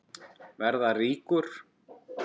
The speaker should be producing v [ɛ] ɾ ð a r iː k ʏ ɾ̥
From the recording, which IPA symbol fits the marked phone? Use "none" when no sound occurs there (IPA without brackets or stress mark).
ɛ